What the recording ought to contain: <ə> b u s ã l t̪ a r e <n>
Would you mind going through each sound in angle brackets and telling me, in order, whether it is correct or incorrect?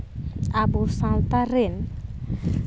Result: incorrect: a, correct

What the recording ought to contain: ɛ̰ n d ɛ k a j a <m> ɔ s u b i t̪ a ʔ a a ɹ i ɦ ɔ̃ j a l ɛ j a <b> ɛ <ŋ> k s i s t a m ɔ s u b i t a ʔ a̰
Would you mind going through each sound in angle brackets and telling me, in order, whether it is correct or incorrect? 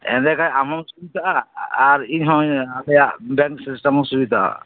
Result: correct, correct, correct

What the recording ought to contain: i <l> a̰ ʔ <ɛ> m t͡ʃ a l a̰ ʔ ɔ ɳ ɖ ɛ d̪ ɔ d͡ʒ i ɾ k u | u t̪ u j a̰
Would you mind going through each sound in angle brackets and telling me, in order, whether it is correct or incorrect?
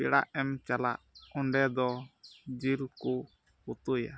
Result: incorrect: ɽ, correct

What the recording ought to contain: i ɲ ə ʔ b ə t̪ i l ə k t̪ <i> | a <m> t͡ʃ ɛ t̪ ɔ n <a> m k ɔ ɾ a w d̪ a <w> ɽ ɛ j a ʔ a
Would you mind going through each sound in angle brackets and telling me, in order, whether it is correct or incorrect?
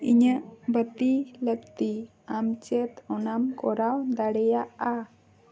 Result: correct, correct, correct, incorrect: none

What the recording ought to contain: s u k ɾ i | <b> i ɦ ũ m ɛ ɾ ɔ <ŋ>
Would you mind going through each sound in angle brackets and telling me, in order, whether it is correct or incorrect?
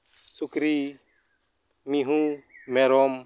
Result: incorrect: m, incorrect: m

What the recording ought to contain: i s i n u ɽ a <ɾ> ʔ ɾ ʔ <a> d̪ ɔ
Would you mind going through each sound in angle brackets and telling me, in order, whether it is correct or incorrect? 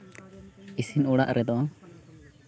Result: incorrect: none, incorrect: ɛ

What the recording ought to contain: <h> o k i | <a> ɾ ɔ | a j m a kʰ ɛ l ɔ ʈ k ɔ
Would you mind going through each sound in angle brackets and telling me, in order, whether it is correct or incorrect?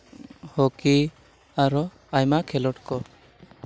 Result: correct, correct

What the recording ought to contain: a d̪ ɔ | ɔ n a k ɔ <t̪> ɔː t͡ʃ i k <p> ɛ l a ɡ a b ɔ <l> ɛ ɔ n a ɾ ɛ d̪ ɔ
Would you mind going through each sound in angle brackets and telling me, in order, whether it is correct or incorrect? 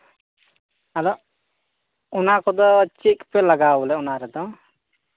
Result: incorrect: d̪, correct, correct

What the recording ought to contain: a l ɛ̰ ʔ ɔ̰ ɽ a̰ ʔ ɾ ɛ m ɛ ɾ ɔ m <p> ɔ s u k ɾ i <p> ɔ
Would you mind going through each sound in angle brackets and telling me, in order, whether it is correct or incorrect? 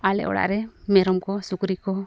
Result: incorrect: k, incorrect: k

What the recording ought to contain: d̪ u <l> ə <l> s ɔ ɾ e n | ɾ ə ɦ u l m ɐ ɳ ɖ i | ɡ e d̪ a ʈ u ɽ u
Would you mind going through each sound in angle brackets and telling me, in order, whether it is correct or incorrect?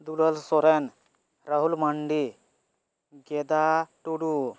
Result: correct, correct

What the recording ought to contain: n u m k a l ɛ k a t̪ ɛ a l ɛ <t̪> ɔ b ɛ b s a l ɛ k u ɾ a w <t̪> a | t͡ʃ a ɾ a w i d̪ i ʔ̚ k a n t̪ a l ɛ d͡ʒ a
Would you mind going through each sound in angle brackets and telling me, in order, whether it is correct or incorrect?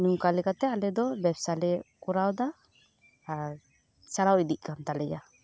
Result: incorrect: d̪, incorrect: d̪

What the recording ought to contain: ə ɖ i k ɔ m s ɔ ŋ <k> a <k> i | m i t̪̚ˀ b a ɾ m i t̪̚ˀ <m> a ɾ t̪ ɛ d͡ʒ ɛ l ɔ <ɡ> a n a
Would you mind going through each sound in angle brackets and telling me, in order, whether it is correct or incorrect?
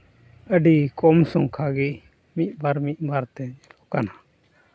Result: incorrect: kʰ, incorrect: ɡ, incorrect: b, incorrect: k

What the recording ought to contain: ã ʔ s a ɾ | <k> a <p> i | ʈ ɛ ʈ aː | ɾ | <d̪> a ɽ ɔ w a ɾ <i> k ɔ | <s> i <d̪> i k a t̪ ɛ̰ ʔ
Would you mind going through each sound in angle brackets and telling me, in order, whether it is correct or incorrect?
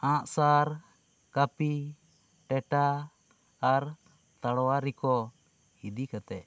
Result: correct, correct, incorrect: t̪, correct, incorrect: h, correct

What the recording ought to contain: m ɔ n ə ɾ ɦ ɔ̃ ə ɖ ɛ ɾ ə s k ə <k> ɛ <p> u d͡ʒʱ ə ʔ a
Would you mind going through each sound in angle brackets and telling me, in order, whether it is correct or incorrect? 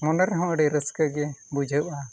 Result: incorrect: ɡ, incorrect: b

